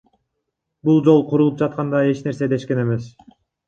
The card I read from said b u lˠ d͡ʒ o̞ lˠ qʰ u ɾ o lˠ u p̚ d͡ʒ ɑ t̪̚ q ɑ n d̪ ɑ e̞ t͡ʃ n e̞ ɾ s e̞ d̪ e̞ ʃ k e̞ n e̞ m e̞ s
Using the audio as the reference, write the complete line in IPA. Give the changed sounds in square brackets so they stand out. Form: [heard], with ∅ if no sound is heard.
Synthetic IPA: b u lˠ d͡ʒ o̞ lˠ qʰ u ɾ [u] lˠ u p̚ d͡ʒ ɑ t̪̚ q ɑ n d̪ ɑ e̞ t͡ʃ n e̞ ɾ s e̞ d̪ e̞ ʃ k e̞ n e̞ m e̞ s

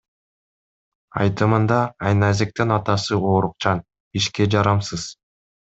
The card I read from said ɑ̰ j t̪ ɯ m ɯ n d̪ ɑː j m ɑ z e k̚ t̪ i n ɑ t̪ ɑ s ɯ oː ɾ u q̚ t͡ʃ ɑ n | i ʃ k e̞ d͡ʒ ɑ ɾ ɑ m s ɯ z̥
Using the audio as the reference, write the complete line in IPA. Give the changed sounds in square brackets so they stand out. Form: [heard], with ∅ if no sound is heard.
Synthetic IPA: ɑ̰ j t̪ ɯ m ɯ n d̪ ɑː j [n] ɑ z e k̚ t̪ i n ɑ t̪ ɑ s ɯ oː ɾ u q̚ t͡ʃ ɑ n | i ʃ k e̞ d͡ʒ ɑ ɾ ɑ m s ɯ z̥

